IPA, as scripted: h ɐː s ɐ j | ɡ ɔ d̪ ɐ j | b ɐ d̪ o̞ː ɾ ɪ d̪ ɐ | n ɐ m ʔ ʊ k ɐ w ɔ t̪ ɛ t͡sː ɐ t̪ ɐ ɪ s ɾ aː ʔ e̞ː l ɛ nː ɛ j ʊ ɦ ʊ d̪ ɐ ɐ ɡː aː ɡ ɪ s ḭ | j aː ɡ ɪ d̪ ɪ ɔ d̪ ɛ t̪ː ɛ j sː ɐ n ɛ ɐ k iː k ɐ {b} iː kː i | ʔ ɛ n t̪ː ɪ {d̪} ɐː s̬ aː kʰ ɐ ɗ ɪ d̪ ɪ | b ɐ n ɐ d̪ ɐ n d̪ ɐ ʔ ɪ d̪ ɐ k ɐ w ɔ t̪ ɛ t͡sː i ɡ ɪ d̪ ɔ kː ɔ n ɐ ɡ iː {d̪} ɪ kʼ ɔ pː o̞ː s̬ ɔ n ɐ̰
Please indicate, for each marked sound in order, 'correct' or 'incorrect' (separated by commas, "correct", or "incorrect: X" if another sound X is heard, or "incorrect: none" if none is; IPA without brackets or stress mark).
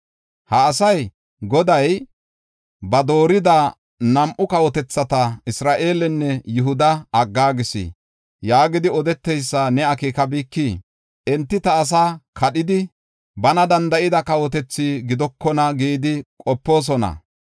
correct, incorrect: t̪, correct